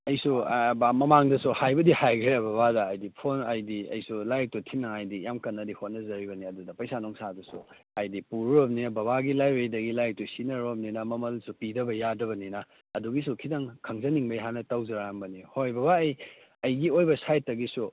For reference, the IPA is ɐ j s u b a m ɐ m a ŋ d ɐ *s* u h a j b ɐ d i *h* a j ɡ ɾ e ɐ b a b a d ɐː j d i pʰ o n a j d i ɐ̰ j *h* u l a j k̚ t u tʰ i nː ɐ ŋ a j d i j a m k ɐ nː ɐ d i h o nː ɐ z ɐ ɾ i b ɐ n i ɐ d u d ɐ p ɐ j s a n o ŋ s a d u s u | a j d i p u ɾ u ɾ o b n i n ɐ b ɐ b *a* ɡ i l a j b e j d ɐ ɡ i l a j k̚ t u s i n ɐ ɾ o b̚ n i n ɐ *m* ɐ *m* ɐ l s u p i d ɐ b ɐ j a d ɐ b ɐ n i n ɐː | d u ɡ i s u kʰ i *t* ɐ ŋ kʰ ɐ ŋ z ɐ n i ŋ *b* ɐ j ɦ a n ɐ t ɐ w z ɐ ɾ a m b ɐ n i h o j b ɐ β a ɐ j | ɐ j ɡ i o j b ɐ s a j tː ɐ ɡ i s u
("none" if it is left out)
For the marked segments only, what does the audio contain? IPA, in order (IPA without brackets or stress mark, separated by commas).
s, h, s, a, m, m, d, b